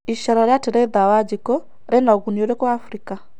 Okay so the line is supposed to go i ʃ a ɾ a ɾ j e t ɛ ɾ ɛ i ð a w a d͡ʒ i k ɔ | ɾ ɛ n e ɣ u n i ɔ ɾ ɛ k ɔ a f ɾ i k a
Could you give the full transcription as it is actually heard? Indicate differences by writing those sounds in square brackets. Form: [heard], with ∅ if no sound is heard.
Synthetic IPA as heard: i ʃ a ɾ a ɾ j [a] t ɛ ɾ ɛ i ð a w a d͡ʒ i k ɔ | ɾ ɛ n [a] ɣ u n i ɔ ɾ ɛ k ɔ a f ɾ i k a